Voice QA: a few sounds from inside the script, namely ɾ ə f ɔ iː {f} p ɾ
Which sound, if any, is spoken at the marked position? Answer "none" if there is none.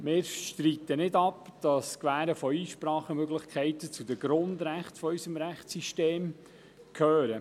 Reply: ʃ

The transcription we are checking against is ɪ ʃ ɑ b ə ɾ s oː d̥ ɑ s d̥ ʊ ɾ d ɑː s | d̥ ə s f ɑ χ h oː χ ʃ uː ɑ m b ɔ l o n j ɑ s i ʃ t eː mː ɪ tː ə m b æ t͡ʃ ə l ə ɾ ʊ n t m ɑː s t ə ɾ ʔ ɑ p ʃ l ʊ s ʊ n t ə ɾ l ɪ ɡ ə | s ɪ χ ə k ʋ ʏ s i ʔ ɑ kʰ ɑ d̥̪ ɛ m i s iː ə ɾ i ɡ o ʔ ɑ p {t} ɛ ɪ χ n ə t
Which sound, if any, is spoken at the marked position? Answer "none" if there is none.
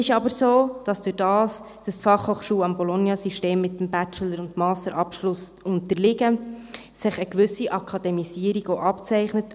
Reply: t͡s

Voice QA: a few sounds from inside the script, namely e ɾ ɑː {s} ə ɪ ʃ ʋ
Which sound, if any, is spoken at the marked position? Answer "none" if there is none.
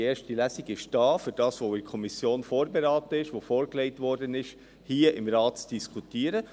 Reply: t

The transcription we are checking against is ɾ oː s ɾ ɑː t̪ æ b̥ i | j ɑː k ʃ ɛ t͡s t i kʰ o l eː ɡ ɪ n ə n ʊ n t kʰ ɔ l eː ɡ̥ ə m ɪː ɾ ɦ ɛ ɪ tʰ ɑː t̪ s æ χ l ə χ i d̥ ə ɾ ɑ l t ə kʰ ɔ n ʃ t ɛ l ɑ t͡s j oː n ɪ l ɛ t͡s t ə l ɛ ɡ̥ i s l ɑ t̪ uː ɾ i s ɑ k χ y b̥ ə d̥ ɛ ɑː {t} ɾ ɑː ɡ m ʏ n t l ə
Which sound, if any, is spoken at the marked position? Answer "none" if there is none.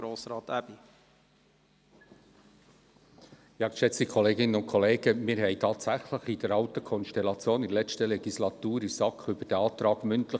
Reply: t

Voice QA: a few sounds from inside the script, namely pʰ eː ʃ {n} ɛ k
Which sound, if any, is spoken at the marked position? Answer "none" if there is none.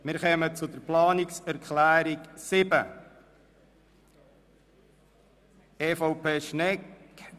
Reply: n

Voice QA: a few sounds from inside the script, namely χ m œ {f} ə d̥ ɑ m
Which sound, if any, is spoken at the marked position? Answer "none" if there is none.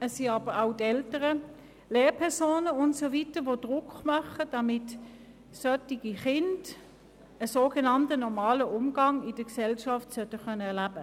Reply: χ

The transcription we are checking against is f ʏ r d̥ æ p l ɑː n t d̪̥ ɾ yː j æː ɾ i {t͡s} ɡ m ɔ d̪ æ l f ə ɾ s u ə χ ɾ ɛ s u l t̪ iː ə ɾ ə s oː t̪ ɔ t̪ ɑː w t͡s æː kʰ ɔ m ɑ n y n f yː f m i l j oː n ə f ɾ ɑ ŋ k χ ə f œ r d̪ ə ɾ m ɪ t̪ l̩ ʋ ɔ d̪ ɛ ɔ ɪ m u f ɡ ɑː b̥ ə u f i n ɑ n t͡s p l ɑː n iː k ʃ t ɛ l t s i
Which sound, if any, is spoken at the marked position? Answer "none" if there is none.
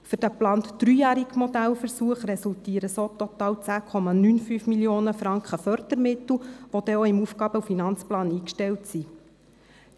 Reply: none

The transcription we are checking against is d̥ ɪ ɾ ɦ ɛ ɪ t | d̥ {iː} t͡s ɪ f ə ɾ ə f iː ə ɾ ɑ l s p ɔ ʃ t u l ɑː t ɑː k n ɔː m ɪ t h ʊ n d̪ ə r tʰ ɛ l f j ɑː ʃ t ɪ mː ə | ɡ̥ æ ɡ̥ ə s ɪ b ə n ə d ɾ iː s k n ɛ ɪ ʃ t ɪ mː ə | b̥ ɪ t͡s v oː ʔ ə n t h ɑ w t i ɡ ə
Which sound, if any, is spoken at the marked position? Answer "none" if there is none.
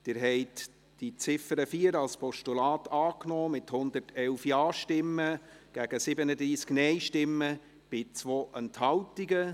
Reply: i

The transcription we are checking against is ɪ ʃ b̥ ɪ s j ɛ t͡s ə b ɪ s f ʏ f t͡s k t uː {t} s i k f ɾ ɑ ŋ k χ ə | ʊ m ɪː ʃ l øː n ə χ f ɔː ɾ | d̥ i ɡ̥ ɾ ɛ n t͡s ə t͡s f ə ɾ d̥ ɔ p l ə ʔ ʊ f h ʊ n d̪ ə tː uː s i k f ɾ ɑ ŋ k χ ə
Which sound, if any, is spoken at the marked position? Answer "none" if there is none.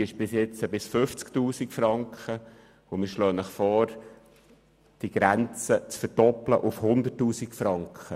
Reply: none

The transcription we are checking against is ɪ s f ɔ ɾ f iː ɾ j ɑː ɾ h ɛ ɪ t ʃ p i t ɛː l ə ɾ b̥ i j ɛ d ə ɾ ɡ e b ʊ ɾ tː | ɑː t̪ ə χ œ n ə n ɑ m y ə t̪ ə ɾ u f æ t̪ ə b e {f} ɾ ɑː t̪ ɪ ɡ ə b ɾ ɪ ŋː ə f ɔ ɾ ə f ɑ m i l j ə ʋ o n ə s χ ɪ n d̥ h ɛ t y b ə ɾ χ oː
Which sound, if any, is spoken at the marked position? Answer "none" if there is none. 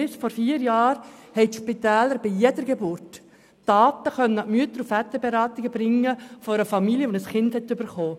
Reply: none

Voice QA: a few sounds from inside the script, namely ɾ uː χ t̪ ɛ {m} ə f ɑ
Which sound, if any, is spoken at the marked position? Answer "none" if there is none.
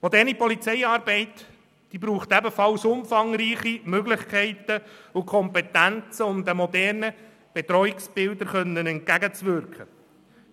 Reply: b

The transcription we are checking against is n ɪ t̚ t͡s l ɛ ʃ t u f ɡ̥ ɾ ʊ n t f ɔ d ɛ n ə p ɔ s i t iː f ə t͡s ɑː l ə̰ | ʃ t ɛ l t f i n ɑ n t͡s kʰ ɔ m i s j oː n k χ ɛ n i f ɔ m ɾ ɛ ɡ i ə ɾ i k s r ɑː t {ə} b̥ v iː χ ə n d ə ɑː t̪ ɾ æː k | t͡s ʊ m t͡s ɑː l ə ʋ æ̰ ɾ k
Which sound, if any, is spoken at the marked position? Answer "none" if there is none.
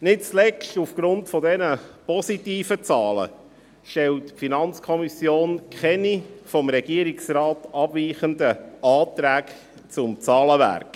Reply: ɑ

